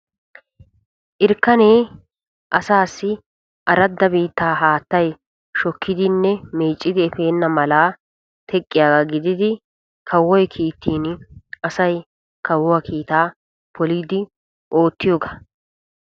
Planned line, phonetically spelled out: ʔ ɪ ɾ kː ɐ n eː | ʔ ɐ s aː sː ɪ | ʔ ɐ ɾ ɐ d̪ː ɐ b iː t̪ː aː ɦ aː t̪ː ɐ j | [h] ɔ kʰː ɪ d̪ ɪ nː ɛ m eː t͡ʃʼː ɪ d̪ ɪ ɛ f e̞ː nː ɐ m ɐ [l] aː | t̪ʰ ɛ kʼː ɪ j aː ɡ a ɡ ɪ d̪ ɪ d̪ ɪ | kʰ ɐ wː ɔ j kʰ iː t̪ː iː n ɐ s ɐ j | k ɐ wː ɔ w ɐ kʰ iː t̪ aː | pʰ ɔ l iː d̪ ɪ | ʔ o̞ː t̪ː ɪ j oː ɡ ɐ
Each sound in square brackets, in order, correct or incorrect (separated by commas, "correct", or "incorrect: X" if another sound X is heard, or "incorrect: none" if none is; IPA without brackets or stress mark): incorrect: ʃ, correct